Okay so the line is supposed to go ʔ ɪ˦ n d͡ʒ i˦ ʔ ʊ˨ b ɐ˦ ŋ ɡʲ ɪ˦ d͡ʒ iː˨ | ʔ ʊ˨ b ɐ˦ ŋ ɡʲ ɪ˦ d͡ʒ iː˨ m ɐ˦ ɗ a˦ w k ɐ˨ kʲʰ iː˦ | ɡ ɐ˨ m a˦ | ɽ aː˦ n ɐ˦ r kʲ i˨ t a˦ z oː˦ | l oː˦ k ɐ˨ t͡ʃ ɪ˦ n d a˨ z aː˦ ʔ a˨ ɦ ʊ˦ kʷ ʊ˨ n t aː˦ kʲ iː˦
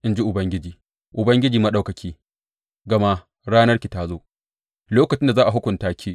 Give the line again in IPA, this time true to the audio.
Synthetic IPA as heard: ʔ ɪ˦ n d͡ʒ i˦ ʔ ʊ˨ b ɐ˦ ŋ ɡʲ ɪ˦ d͡ʒ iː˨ | ʔ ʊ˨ b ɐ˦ ŋ ɡʲ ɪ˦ d͡ʒ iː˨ m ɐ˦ ɗ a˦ w k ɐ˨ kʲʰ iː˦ | ɡ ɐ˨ m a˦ | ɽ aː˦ n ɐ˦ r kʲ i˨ t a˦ z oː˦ | l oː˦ k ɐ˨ t͡ʃ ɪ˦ n d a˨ z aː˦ ʔ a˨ ɦ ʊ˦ kʷ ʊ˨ n t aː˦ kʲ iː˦